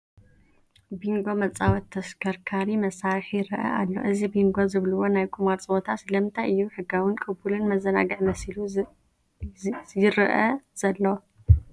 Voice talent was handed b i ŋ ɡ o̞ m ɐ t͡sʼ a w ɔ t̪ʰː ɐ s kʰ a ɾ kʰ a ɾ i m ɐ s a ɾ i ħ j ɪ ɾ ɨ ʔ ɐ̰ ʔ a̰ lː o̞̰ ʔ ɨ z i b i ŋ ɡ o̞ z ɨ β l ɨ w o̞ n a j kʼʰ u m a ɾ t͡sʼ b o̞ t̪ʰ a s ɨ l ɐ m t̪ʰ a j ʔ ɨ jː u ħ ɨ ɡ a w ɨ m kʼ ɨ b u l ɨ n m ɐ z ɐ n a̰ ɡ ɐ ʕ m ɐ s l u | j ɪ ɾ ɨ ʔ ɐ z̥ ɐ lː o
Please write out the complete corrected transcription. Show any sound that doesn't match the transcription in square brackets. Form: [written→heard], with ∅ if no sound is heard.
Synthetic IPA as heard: b i ŋ ɡ o̞ m ɐ t͡sʼ a w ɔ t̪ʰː ɐ s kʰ [a→ɐ] ɾ kʰ a ɾ i m ɐ s a ɾ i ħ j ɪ ɾ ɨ ʔ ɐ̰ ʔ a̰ lː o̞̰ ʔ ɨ z i b i ŋ ɡ o̞ z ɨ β l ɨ w o̞ n a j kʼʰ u m a ɾ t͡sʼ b o̞ t̪ʰ a s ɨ l ɐ m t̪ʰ a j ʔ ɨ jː u ħ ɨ ɡ a w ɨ [m→n] kʼ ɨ b u l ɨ n m ɐ z ɐ n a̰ ɡ ɐ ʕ m ɐ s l u | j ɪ ɾ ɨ ʔ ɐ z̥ ɐ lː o